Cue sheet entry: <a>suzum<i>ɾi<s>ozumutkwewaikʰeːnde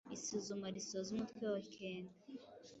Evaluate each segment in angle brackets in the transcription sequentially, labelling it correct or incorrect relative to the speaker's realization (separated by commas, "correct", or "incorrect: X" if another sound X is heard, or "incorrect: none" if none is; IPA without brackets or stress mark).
incorrect: i, incorrect: a, correct